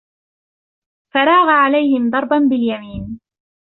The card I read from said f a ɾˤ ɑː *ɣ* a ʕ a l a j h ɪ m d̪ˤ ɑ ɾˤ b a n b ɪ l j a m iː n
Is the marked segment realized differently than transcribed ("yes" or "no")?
no